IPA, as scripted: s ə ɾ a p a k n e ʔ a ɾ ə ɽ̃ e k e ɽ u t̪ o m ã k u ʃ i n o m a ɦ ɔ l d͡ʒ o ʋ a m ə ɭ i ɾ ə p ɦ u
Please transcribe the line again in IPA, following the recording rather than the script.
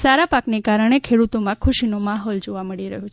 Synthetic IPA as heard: s a ɾ a p a k n e k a ɾ ə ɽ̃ e kʰ e ɽ u t̪ o m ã kʰ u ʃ i n o m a ɦ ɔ l d͡ʒ o ʋ a m ə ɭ i ɾ ə ɦ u

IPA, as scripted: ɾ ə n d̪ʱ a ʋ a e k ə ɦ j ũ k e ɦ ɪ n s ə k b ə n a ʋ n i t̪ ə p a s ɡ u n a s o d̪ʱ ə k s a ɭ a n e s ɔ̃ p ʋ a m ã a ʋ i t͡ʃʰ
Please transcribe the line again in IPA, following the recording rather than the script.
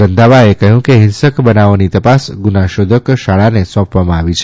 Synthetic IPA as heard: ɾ ə n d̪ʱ a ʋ a e k ə ɦ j ũ k e ɦ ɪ n s ə k b ə n a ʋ n i t̪ ə p a s ɡ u n a ʃ o d̪ʱ ə k ʃ a ɭ a n e s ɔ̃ p ʋ a m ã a ʋ i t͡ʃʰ

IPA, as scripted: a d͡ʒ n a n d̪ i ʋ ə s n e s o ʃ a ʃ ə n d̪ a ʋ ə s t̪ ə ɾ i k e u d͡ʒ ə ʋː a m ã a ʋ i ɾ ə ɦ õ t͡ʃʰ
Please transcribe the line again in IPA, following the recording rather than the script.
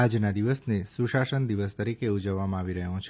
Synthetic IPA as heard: a d͡ʒ n a d̪ i ʋ ə s n e s u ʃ a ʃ ə n d̪ i ʋ ə s t̪ ə ɾ i k e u d͡ʒ ə ʋː a m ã a ʋ i ɾ ə ɦ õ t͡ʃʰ

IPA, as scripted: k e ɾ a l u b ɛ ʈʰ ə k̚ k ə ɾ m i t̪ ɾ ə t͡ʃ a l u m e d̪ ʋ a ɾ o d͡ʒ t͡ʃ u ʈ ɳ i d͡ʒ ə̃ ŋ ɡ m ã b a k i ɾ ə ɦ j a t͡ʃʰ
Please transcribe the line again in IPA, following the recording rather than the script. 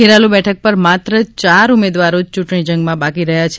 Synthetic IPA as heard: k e ɾ a l u b ɛ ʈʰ ə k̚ p ə ɾ m a t̪ ɾ ə t͡ʃ a ɾ u m e d̪ ʋ a ɾ o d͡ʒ t͡ʃ u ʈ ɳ i d͡ʒ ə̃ ŋ ɡ m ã b a k i ɾ ə ɦ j a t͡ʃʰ

